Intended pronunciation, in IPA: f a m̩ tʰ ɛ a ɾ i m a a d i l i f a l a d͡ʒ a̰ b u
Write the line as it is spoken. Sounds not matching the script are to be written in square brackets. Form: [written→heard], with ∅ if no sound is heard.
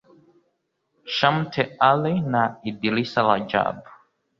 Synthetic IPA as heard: [f→ʃ] a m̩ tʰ ɛ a [ɾ→l] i [m→n] a [a→i] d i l i [f→s] a l a d͡ʒ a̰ b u